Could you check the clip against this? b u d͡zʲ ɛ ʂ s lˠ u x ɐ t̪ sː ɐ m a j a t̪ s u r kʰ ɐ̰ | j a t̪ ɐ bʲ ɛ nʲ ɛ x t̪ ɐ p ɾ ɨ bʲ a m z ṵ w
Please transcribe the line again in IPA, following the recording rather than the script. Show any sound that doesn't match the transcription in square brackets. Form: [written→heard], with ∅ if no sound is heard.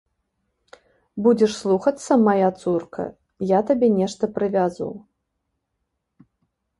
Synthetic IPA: b u d͡zʲ ɛ ʂ s lˠ u x ɐ t̪ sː ɐ m a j a t̪ s u r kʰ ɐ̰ | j a t̪ [ɐ→a] bʲ ɛ nʲ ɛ [x→ʂ] t̪ ɐ p ɾ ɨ [bʲ→vʲ] a [m→∅] z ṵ w

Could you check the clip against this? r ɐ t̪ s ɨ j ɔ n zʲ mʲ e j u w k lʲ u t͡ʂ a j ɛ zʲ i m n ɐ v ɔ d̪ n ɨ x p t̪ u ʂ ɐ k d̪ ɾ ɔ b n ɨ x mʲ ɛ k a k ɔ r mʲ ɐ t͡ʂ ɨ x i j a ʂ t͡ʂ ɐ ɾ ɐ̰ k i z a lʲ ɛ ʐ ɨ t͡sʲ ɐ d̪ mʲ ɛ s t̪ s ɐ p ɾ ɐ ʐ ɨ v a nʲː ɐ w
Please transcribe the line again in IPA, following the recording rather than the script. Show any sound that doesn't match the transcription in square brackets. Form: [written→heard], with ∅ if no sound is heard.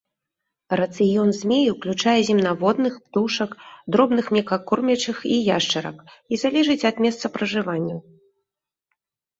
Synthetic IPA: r ɐ t̪ s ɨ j ɔ n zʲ mʲ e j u w k lʲ u t͡ʂ a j ɛ zʲ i m n [ɐ→a] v ɔ d̪ n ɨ x p t̪ u ʂ ɐ k d̪ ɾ ɔ b n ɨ x mʲ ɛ k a k ɔ r mʲ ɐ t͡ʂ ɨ x i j a ʂ t͡ʂ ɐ ɾ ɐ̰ k i z a lʲ ɛ ʐ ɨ t͡sʲ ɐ d̪ mʲ ɛ s t̪ s ɐ p ɾ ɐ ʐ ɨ v a nʲː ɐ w

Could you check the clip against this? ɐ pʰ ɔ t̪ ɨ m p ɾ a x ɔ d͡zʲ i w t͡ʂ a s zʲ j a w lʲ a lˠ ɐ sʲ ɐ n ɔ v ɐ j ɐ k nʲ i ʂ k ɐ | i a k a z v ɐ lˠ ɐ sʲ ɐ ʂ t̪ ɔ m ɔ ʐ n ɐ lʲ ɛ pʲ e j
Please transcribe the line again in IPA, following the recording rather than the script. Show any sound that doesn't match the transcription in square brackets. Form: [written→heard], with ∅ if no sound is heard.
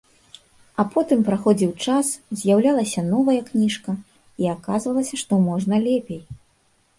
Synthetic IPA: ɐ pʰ ɔ t̪ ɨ m p ɾ a x ɔ d͡zʲ i w t͡ʂ a s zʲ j a w lʲ a lˠ ɐ sʲ ɐ n ɔ v ɐ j ɐ k nʲ i ʂ k ɐ | i a k a z v ɐ lˠ ɐ sʲ ɐ ʂ t̪ ɔ m ɔ ʐ n ɐ lʲ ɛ pʲ e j

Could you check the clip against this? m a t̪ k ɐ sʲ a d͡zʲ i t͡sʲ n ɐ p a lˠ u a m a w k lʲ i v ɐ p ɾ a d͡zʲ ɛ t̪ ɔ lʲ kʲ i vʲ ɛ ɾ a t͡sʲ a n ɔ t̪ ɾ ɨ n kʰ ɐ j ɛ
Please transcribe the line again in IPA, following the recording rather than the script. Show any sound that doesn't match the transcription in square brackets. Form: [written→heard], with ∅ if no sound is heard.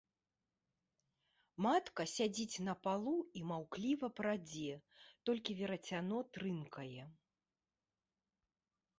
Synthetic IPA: m a t̪ k ɐ sʲ a d͡zʲ i t͡sʲ n ɐ p a lˠ u [a→i] m a w k lʲ i v ɐ p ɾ a d͡zʲ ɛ t̪ ɔ lʲ kʲ i vʲ ɛ ɾ [a→ɐ] t͡sʲ a n ɔ t̪ ɾ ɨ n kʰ ɐ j ɛ

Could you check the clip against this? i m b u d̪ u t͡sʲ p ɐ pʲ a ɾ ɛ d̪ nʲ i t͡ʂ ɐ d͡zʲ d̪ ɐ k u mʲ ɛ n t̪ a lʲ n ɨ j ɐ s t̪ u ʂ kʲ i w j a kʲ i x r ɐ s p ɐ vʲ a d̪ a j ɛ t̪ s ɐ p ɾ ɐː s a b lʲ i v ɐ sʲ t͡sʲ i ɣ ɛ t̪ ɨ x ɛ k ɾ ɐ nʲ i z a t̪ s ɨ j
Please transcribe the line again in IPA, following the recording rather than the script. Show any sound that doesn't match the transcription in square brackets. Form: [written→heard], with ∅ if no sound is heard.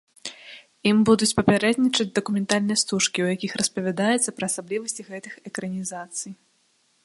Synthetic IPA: i m b u d̪ u t͡sʲ p ɐ pʲ a ɾ ɛ d̪ nʲ i t͡ʂ ɐ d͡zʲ d̪ ɐ k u mʲ ɛ n t̪ a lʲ n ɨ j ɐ s t̪ u ʂ kʲ i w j a kʲ i x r ɐ s p ɐ vʲ a d̪ a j ɛ t̪ s ɐ p ɾ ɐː s a b lʲ i v ɐ sʲ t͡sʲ i ɣ ɛ t̪ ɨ x ɛ k ɾ ɐ nʲ i z a t̪ s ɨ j

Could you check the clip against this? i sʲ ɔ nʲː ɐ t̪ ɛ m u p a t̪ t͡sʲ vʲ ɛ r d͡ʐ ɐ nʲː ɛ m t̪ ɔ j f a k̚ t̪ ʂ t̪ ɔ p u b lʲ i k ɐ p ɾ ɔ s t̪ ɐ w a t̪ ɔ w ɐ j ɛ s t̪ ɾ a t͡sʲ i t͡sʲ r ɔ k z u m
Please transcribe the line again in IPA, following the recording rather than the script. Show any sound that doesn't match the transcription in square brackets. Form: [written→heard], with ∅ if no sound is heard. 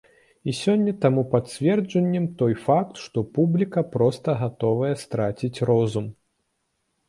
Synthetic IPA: i sʲ ɔ nʲː ɐ t̪ [ɛ→a] m u p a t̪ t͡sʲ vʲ ɛ r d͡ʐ ɐ nʲː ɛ m t̪ ɔ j f a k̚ t̪ ʂ t̪ ɔ p u b lʲ i k ɐ p ɾ ɔ s t̪ ɐ [w→ɣ] a t̪ ɔ [w→v] ɐ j ɛ s t̪ ɾ a t͡sʲ i t͡sʲ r ɔ [k→∅] z u m

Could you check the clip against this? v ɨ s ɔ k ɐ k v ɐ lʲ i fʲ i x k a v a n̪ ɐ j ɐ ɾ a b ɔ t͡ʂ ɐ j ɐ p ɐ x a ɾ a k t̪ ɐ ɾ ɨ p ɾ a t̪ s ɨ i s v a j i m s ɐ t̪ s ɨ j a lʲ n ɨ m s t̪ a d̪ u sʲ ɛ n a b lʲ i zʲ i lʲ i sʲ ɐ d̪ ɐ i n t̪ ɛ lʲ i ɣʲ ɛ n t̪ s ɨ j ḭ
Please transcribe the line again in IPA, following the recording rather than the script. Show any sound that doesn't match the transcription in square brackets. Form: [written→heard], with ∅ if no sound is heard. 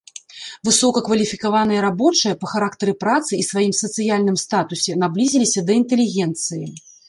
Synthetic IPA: v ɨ s ɔ k ɐ k v ɐ lʲ i fʲ i [x→∅] k a v a n̪ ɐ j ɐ ɾ a b ɔ t͡ʂ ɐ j ɐ p ɐ x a ɾ a k t̪ ɐ ɾ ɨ p ɾ a t̪ s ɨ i s v a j i m s ɐ t̪ s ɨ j a lʲ n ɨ m s t̪ a [d̪→t̪] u sʲ ɛ n a b lʲ i zʲ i lʲ i sʲ ɐ d̪ ɐ i n t̪ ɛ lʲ i ɣʲ ɛ n t̪ s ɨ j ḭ

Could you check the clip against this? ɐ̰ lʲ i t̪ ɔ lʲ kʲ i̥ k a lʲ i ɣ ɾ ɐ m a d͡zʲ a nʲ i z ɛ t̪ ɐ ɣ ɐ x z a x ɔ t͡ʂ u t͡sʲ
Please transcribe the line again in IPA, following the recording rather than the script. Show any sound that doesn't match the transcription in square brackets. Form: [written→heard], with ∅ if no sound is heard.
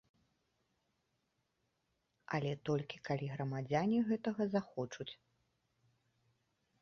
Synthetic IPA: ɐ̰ lʲ [i→ɛ] t̪ ɔ lʲ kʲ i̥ k a lʲ i ɣ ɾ ɐ m a d͡zʲ a nʲ i [z→ɣ] ɛ t̪ ɐ ɣ ɐ [x→∅] z a x ɔ t͡ʂ u t͡sʲ

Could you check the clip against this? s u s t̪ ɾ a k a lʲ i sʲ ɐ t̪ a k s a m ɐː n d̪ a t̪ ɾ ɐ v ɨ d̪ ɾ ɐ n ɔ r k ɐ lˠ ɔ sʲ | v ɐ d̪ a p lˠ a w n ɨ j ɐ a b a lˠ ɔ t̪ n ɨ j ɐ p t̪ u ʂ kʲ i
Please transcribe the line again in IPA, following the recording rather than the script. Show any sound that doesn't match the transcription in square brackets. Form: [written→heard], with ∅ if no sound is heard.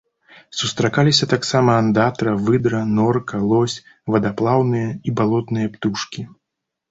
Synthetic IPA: s u s t̪ ɾ a k a lʲ i sʲ ɐ t̪ a k s a m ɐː n d̪ a t̪ ɾ ɐ v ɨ d̪ ɾ ɐ n ɔ r k ɐ lˠ ɔ sʲ | v ɐ d̪ a p lˠ a w n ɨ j ɐ [a→i] b a lˠ ɔ t̪ n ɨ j ɐ p t̪ u ʂ kʲ i

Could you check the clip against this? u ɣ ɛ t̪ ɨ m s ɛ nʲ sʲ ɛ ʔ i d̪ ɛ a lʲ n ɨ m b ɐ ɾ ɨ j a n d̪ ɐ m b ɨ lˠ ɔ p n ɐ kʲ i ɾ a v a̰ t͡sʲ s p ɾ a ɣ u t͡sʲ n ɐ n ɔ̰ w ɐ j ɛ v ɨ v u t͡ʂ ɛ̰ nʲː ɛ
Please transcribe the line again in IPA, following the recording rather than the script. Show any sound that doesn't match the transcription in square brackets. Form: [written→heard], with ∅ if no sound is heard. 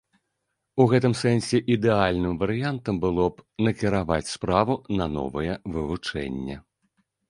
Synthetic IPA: u ɣ ɛ t̪ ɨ m s ɛ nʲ sʲ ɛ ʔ i d̪ ɛ a lʲ n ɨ m [b→v] ɐ ɾ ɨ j a n [d̪→t̪] ɐ m b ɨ lˠ ɔ p n ɐ kʲ i ɾ a v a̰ t͡sʲ s p ɾ a [ɣ→v] u [t͡sʲ→∅] n ɐ n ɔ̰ [w→v] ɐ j ɛ v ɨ v u t͡ʂ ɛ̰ nʲː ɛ

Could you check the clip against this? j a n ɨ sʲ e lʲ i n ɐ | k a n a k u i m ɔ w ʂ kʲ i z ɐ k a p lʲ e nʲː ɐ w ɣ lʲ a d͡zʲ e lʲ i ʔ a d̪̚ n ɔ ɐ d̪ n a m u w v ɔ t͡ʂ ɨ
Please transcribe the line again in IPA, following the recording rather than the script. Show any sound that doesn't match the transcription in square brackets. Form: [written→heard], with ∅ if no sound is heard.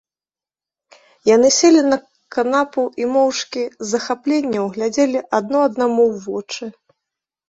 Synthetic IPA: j a n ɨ sʲ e lʲ i n ɐ | k a n a [k→p] u i m ɔ w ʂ kʲ i z ɐ [k→x] a p lʲ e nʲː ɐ w ɣ lʲ a d͡zʲ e lʲ i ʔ a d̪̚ n ɔ ɐ d̪ n a m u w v ɔ t͡ʂ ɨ

